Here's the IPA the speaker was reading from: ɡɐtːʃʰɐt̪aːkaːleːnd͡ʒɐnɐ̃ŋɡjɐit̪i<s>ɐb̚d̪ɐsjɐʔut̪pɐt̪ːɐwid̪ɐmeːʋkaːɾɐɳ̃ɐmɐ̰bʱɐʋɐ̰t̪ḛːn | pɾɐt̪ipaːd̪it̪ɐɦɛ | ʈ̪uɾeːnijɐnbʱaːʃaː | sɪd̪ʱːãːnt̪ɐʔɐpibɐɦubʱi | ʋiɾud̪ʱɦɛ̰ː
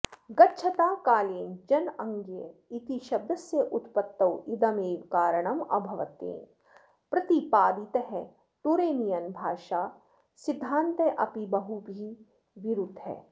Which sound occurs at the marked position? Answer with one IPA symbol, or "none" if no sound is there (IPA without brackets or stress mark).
ʃ